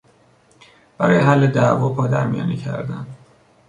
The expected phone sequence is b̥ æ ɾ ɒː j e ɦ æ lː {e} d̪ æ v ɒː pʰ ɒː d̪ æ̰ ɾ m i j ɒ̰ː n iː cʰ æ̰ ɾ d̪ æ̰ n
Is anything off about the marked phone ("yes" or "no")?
no